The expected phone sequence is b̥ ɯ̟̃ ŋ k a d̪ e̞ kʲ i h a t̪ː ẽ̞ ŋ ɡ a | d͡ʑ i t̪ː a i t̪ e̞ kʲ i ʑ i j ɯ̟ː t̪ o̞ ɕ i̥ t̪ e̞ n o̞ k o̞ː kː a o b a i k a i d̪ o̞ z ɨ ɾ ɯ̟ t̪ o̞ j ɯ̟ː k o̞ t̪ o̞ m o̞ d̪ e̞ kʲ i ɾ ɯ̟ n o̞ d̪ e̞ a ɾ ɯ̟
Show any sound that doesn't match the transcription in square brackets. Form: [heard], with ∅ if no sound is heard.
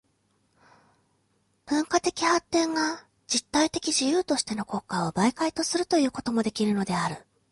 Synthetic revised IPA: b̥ ɯ̟̃ ŋ k a [t̪] e̞ kʲ i h a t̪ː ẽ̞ ŋ ɡ a | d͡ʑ i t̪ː a i t̪ e̞ kʲ i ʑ i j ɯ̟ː t̪ o̞ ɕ i̥ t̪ e̞ n o̞ k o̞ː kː a o b a i k a i [t̪] o̞ [s] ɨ ɾ ɯ̟ t̪ o̞ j ɯ̟ː k o̞ t̪ o̞ m o̞ d̪ e̞ kʲ i ɾ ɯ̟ n o̞ d̪ e̞ a ɾ ɯ̟

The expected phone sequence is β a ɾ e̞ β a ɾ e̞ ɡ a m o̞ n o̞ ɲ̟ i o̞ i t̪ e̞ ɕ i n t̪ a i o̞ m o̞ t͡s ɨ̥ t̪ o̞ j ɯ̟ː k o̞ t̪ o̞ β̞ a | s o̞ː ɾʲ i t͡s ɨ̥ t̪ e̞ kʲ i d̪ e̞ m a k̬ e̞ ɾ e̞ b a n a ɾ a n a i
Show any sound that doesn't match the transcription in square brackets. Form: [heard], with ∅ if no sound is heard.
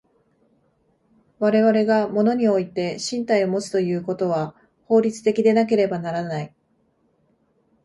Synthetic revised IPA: β a ɾ e̞ β a ɾ e̞ ɡ a m o̞ n o̞ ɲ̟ i o̞ i t̪ e̞ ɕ [ĩ] n t̪ a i o̞ m o̞ t͡s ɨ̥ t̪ o̞ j ɯ̟ː k o̞ t̪ o̞ β̞ a | [h] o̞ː ɾʲ i t͡s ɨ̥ t̪ e̞ kʲ i d̪ e̞ [n] a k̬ e̞ ɾ e̞ b a n a ɾ a n a i

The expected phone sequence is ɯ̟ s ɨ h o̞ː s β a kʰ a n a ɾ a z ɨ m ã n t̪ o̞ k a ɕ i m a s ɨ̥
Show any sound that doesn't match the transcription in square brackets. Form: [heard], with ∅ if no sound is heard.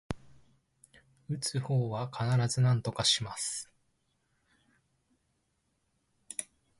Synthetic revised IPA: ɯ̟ [t͡s] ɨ h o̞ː [∅] β a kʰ a n a ɾ a z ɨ [n] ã n t̪ o̞ k a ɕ i m a s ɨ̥

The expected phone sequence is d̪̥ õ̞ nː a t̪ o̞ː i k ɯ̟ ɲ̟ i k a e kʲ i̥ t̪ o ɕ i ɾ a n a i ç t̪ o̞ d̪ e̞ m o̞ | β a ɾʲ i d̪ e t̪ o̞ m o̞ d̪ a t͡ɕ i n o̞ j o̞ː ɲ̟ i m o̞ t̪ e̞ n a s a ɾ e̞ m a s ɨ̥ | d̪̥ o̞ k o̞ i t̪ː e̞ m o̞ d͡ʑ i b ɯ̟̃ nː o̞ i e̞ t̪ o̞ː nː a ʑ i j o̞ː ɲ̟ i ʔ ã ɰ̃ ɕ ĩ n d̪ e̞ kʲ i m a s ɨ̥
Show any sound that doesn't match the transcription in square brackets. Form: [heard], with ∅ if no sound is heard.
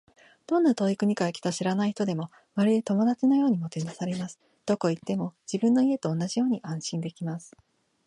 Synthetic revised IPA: d̪̥ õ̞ nː a t̪ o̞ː i k ɯ̟ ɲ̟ i k a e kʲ i̥ t̪ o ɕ i ɾ a n a i ç t̪ o̞ d̪ e̞ m o̞ | β a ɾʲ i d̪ e t̪ o̞ m o̞ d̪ a t͡ɕ i n o̞ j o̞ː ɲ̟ i m o̞ t̪ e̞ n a s a ɾ e̞ m a s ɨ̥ | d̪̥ o̞ k o̞ i t̪ː e̞ m o̞ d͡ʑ i b ɯ̟̃ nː o̞ i e̞ t̪ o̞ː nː a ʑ i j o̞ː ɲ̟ i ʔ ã ɰ̃ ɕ ĩ n d̪ e̞ kʲ i m a s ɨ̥

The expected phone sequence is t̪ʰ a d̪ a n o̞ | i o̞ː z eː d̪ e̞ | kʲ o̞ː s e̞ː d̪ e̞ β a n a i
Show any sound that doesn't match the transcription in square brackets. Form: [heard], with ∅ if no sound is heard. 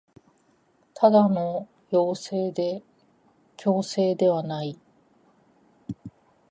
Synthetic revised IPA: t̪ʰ a d̪ a n o̞ | [j] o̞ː [s] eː d̪ e̞ | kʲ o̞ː s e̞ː d̪ e̞ β a n a i

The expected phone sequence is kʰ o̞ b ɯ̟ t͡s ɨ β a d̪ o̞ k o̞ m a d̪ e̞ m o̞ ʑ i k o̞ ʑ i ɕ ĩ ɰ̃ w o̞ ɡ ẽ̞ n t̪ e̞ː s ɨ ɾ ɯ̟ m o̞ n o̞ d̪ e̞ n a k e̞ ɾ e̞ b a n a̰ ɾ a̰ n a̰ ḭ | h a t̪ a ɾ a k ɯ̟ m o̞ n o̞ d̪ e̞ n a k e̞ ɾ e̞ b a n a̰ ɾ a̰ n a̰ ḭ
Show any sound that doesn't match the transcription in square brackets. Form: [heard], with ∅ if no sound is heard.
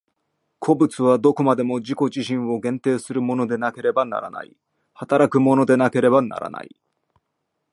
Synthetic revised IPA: kʰ o̞ b ɯ̟ t͡s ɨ β a d̪ o̞ k o̞ m a d̪ e̞ m o̞ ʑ i k o̞ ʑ i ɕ ĩ ɰ̃ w o̞ ɡ ẽ̞ n t̪ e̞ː s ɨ ɾ ɯ̟ m o̞ n o̞ d̪ e̞ n a k e̞ ɾ e̞ b a n a̰ ɾ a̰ n a̰ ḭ | h a t̪ a ɾ a k ɯ̟ m o̞ n o̞ d̪ e̞ n a k e̞ ɾ e̞ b a n a̰ ɾ a̰ n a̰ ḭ

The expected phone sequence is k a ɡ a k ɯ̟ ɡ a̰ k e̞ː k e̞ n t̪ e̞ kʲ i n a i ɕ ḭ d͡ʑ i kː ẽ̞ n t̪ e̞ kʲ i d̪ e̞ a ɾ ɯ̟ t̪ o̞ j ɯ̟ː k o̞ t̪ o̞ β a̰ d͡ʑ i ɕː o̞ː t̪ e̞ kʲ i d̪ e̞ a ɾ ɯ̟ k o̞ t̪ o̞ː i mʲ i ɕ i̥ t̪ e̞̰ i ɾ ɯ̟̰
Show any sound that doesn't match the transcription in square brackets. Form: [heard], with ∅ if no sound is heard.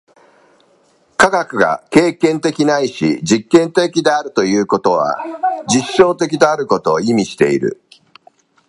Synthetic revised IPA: k a ɡ a k ɯ̟ ɡ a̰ k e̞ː k [ẽ̞] n t̪ e̞ kʲ i n a i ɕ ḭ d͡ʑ i kː ẽ̞ n t̪ e̞ kʲ i d̪ e̞ a ɾ ɯ̟ t̪ o̞ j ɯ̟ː k o̞ t̪ o̞ β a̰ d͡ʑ i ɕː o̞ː t̪ e̞ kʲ i d̪ e̞ a ɾ ɯ̟ k o̞ t̪ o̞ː i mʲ i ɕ i̥ t̪ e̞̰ i ɾ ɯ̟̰

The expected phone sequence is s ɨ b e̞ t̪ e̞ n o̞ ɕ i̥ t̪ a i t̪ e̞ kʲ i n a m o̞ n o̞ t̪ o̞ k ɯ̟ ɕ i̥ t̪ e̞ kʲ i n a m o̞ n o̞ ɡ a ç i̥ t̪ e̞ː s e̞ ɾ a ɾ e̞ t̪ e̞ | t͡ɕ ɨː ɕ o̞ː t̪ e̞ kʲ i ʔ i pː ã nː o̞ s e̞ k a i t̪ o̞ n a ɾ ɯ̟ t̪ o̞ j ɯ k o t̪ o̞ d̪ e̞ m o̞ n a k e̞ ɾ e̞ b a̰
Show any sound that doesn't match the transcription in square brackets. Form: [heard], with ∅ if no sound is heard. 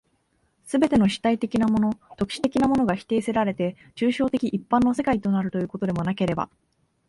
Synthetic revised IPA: s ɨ b e̞ t̪ e̞ n o̞ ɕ i̥ t̪ a i t̪ e̞ kʲ i n a m o̞ n o̞ t̪ o̞ k ɯ̟ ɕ i̥ t̪ e̞ kʲ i n a m o̞ n o̞ ɡ a ç i̥ t̪ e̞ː s e̞ ɾ a ɾ e̞ t̪ e̞ | t͡ɕ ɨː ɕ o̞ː t̪ e̞ kʲ i ʔ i pː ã nː o̞ s e̞ k a i t̪ o̞ n a ɾ ɯ̟ t̪ o̞ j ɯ k o t̪ o̞ d̪ e̞ m o̞ n a k e̞ ɾ e̞ b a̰

